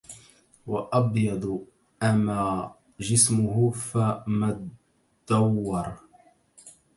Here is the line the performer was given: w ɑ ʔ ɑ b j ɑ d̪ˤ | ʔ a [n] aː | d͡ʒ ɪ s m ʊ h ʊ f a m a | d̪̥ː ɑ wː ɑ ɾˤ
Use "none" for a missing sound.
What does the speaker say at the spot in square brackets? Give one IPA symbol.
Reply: m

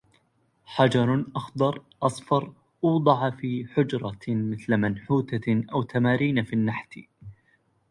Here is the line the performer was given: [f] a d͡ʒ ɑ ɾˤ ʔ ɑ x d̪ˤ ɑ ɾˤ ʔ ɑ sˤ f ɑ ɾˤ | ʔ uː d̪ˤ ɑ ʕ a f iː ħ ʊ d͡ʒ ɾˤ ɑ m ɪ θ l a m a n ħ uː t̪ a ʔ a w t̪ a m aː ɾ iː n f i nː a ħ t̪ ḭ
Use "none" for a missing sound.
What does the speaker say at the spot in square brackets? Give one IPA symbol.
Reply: ħ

